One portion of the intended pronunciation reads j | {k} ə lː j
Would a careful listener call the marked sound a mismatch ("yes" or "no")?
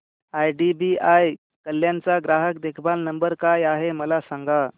no